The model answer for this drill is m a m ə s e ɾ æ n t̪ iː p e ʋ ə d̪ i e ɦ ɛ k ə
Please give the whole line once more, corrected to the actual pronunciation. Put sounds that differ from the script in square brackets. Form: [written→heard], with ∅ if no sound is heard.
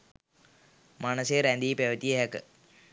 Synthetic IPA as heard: m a [m→n] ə s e ɾ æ n [t̪→d̪] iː p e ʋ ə [d̪→t̪] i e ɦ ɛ k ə

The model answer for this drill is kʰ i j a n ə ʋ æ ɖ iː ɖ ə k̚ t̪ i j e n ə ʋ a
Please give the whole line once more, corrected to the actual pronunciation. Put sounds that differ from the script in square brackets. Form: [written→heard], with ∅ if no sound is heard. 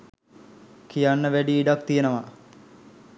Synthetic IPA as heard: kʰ i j a [n→nː] ə ʋ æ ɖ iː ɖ [ə→a] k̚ t̪ i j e n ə ʋ a

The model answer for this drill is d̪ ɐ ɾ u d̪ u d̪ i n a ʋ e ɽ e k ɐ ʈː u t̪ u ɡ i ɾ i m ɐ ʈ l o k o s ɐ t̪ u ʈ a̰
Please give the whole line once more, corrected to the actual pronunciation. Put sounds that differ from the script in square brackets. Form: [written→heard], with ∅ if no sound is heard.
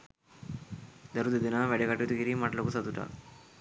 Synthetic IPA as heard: d̪ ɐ ɾ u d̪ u d̪ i n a ʋ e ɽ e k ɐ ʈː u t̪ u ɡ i ɾ i m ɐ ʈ l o k [o→u] s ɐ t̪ u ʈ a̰

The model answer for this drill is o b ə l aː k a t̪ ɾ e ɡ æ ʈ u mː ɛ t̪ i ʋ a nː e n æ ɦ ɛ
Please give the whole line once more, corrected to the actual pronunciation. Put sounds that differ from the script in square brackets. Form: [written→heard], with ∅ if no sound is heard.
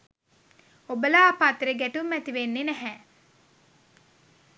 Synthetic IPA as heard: o b ə l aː [k→p] a t̪ ɾ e ɡ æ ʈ u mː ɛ t̪ i ʋ [a→e] nː e n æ ɦ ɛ

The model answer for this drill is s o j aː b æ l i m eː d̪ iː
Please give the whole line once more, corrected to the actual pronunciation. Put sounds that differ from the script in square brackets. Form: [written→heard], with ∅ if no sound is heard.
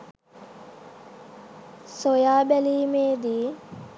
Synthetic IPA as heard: s o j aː b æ l [i→iː] m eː d̪ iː

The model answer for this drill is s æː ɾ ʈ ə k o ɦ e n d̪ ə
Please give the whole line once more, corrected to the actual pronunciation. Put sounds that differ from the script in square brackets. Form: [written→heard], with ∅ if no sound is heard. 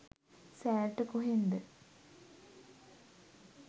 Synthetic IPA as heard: s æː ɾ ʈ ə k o ɦ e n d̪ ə

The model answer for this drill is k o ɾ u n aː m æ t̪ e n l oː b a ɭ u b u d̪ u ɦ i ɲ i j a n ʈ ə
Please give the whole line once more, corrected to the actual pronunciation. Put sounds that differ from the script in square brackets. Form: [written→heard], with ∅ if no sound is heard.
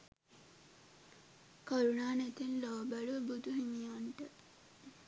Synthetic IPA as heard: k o ɾ u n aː [m→n] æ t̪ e n l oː b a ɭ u b u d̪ u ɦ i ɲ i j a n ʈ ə

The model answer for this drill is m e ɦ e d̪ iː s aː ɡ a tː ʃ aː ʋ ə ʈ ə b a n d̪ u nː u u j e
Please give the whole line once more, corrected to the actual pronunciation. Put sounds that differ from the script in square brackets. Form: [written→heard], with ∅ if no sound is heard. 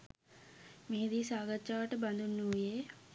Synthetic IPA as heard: m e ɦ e d̪ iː s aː ɡ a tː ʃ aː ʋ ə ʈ ə b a n d̪ u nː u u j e

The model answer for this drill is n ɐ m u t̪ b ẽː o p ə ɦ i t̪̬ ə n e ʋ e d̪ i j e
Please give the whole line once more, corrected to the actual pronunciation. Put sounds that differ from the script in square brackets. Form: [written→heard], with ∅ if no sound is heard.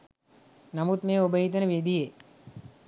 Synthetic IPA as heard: n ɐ m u t̪ [b→m] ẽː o [p→b] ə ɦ i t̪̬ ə n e ʋ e d̪ i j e

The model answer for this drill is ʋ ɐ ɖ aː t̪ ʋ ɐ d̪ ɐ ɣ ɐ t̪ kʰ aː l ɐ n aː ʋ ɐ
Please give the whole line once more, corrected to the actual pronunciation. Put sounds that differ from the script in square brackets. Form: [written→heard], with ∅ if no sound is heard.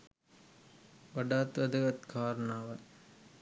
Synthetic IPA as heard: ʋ ɐ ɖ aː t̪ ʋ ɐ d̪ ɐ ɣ ɐ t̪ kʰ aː [l→ɾ] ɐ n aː ʋ ɐ

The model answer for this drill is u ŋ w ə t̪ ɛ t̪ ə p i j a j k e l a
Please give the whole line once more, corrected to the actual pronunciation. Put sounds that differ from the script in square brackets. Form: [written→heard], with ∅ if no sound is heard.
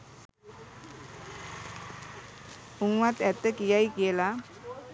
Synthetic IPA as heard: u ŋ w [ə→a] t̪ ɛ t̪ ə [p→k] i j a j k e l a

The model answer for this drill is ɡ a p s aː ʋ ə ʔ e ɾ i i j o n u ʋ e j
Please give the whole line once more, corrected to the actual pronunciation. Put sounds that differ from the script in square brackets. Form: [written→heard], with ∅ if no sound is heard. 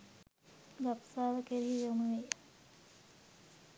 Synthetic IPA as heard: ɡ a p s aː ʋ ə [ʔ→k] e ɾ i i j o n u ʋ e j

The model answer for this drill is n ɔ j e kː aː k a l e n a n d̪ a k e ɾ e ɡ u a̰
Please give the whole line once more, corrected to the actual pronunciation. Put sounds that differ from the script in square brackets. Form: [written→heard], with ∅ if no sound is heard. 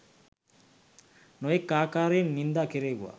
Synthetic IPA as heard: n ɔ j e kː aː k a [l→ɾ] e n [a→i] n d̪ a k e ɾ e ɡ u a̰

